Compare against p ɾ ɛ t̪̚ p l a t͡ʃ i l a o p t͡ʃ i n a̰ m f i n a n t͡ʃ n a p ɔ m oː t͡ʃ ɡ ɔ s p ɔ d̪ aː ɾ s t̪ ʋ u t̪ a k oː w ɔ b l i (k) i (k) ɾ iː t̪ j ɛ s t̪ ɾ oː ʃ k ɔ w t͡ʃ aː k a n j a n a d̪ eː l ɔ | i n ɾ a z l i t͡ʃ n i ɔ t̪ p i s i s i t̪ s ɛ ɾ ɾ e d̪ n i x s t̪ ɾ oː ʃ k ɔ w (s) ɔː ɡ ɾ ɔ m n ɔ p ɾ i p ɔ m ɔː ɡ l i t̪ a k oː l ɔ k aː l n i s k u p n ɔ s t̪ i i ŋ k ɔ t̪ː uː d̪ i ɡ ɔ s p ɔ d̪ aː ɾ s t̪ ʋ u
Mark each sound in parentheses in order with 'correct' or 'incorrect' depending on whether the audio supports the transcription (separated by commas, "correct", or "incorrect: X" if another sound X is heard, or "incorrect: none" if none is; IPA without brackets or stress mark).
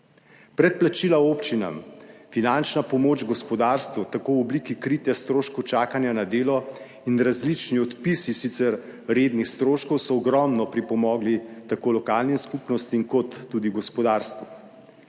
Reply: correct, correct, correct